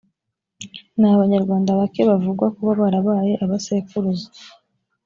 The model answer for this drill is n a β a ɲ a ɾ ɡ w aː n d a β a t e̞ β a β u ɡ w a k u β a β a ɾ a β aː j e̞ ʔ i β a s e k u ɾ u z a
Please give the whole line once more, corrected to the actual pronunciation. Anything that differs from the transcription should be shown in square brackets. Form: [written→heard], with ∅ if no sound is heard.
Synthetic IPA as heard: n a β a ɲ a ɾ ɡ w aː n d a β a [t→k] e̞ β a [β→v] u ɡ w a k u β a β a ɾ a β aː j e̞ ʔ [i→a] β a s e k u ɾ u z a